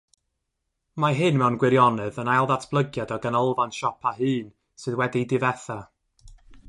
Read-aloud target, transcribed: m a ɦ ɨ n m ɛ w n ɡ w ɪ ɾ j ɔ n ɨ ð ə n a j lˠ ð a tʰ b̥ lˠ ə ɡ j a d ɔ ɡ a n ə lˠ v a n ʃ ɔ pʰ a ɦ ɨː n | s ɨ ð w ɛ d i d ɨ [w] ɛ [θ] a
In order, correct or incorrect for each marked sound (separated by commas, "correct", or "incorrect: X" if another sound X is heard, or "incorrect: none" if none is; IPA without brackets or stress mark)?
incorrect: v, correct